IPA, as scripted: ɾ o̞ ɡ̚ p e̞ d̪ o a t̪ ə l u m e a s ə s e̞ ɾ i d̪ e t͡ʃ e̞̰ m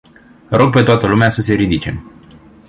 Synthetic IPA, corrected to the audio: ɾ o̞ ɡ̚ p e̞ t̪ o a t̪ ə l u m e a s ə s e̞ ɾ i d̪ i t͡ʃ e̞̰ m